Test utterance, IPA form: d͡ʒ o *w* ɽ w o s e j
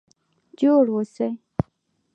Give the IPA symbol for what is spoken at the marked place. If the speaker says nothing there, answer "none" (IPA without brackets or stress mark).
none